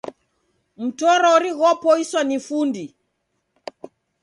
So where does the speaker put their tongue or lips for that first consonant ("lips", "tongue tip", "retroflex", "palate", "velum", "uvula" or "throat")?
lips